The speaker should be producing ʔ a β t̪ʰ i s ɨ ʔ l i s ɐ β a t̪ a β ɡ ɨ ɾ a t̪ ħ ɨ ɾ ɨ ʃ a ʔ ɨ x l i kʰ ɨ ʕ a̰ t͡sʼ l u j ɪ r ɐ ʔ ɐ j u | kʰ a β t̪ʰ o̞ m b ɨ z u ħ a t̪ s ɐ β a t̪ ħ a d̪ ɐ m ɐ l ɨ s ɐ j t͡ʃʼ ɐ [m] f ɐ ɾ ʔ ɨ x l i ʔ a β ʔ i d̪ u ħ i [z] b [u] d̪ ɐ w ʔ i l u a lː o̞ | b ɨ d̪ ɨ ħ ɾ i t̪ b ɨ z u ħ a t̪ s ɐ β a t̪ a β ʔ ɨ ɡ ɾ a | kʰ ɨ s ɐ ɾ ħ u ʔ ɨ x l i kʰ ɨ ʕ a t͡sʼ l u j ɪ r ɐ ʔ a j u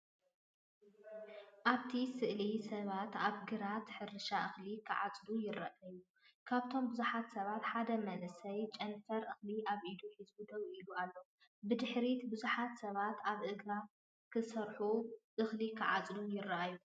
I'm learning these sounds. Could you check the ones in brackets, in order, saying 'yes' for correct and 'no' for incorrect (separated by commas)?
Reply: no, yes, yes